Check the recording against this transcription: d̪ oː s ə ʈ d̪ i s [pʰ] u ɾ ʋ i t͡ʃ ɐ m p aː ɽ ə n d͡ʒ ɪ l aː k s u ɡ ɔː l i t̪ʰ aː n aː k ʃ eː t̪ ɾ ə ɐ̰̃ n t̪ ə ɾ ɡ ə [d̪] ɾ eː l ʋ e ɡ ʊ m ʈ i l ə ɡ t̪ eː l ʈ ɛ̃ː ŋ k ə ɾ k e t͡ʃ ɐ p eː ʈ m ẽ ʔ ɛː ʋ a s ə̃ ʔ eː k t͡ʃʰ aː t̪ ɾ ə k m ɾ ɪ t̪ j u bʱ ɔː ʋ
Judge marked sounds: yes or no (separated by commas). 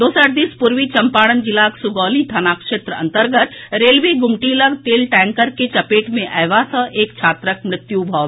no, no